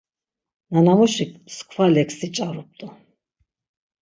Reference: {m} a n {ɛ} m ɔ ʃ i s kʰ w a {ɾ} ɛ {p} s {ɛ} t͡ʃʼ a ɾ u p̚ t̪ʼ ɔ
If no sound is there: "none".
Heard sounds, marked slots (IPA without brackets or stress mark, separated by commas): n, a, l, k, i